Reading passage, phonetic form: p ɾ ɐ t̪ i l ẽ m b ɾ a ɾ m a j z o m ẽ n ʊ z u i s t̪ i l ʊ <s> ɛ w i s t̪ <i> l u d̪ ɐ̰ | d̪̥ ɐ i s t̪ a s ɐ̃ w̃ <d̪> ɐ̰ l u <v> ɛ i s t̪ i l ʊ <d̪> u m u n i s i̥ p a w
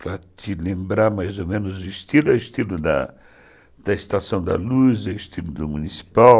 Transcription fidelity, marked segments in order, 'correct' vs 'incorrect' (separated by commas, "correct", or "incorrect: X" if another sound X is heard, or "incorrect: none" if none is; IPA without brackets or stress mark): incorrect: none, correct, correct, incorrect: z, correct